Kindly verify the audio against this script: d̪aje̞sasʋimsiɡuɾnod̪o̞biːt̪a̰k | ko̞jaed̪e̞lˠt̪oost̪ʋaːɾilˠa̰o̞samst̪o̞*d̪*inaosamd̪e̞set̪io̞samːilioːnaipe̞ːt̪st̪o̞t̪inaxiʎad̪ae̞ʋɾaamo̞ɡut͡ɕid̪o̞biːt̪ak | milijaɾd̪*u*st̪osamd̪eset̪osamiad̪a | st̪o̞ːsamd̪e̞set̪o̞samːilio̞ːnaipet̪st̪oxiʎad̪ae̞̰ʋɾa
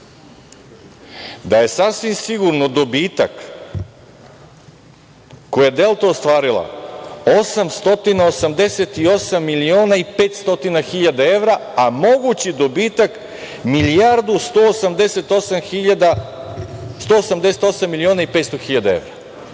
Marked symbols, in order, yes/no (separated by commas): no, yes